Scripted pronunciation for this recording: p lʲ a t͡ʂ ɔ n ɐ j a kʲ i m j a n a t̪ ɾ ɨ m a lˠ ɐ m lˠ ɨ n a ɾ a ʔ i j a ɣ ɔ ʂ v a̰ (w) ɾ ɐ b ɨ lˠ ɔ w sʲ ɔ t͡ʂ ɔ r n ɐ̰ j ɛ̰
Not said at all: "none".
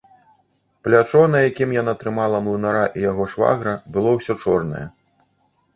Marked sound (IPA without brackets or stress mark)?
ɣ